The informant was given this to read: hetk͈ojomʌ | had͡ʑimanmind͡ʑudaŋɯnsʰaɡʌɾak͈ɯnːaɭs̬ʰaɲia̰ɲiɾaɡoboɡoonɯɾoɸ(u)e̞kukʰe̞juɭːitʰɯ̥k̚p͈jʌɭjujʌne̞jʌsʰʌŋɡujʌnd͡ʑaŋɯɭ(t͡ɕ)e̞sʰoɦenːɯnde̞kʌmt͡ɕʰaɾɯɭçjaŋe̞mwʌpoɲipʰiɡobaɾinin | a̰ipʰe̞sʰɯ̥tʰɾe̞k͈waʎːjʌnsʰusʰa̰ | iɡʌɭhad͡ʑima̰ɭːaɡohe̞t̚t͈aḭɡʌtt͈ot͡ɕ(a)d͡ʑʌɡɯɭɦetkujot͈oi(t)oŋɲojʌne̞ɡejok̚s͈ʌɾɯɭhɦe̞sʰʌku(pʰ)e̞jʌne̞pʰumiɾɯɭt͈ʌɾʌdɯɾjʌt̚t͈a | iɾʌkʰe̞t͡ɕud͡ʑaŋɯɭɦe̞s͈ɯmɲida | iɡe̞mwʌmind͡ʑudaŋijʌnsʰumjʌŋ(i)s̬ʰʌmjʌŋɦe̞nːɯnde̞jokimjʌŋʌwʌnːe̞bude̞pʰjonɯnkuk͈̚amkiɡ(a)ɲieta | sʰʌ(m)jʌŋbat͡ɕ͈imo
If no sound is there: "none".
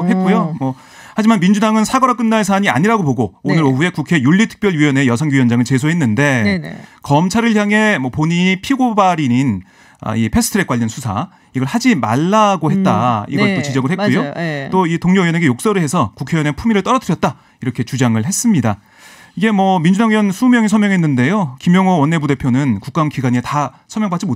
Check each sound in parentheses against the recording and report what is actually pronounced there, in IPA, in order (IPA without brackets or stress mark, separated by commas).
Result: u, t͡ɕ, i, t, kʰ, i, a, m